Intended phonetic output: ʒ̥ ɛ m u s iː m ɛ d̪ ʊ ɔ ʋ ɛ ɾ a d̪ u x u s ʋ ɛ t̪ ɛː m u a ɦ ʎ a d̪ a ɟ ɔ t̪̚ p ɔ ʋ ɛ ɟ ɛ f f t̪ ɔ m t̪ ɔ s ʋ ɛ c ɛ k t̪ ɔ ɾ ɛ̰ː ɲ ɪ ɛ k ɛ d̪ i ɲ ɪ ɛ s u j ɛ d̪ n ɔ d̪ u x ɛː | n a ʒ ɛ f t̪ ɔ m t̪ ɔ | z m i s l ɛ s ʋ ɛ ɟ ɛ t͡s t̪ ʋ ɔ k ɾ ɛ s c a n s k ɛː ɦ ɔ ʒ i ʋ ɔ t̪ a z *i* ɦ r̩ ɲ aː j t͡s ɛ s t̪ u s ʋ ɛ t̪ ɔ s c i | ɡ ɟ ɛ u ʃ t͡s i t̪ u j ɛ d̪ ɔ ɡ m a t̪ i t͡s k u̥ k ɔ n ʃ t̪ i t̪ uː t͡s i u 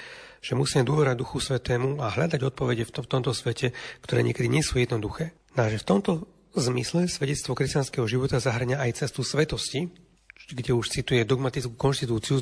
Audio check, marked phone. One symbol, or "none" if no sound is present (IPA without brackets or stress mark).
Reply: a